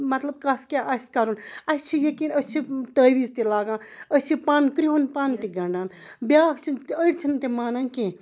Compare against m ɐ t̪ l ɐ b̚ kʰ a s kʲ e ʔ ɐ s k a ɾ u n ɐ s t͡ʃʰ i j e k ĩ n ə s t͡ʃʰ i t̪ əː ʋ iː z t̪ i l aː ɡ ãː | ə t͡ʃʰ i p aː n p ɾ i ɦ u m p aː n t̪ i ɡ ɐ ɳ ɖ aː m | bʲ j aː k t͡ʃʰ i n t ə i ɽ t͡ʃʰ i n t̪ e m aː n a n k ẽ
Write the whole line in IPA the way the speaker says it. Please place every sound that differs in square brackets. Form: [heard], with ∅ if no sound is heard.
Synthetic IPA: m ɐ t̪ l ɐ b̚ [k] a s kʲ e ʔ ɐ s k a ɾ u n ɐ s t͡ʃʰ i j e k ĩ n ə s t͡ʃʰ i t̪ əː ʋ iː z t̪ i l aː ɡ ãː | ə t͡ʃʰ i p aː n [k] ɾ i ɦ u [n] p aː n t̪ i ɡ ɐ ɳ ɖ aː [n] | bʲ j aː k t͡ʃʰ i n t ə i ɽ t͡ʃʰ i n t̪ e m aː n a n k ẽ

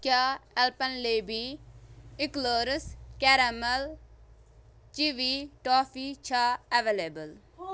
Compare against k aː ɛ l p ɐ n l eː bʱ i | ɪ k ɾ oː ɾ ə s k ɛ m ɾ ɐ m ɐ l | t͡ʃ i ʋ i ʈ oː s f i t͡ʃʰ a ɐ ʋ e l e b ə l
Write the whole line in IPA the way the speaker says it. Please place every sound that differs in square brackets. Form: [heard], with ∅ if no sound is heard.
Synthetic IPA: k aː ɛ l p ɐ n l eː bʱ i | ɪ k [l] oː ɾ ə s k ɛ [∅] ɾ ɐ m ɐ l | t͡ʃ i ʋ i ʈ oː [∅] f i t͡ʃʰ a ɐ ʋ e l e b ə l

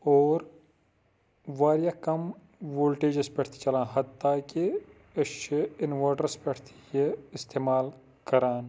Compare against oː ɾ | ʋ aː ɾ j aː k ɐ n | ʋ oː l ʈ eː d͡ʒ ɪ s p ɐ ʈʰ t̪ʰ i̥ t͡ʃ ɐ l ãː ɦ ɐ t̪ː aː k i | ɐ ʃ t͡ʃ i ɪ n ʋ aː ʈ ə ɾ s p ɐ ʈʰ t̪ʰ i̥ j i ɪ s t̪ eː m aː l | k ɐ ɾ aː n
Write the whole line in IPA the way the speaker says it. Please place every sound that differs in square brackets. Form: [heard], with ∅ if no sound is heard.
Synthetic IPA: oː ɾ | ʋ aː ɾ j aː k ɐ [m] | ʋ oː l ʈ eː d͡ʒ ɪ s p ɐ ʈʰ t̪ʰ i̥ t͡ʃ ɐ l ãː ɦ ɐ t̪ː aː k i | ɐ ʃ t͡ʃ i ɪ n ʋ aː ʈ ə ɾ s p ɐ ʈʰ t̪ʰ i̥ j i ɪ s t̪ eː m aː l | k ɐ ɾ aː n

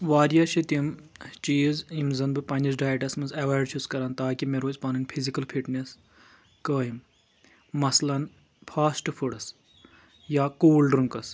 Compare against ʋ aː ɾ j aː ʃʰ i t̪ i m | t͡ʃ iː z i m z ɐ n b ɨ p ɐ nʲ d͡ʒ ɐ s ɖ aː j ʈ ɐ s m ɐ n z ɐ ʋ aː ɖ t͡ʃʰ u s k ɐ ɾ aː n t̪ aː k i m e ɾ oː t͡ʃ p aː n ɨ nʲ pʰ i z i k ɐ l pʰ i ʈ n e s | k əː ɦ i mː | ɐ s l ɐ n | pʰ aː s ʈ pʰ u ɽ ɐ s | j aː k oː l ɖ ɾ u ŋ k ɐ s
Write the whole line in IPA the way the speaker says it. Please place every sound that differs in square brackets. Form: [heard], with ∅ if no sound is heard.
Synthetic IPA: ʋ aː ɾ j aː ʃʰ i t̪ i m | t͡ʃ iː z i m z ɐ n b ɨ p ɐ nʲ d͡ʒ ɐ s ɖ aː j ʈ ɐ s m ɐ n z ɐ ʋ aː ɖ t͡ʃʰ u s k ɐ ɾ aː n t̪ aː k i m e ɾ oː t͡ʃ p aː n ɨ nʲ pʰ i z i k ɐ l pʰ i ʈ n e s | k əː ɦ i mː | ɐ s l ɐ n | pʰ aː s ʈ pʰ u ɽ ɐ s | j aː k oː l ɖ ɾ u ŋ k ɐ s

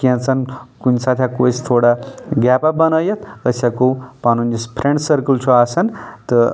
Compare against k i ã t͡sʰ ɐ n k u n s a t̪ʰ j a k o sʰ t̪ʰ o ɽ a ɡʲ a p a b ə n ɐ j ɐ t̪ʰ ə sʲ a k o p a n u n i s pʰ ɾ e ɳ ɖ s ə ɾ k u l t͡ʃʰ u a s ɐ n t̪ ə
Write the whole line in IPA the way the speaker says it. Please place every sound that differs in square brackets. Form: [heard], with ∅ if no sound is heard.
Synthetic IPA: k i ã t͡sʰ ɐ n k u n s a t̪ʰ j a k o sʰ t̪ʰ o ɽ a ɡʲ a p a b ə n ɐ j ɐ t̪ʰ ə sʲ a k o p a n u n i s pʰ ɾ e ɳ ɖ s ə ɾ k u l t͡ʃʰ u a s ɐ n t̪ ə

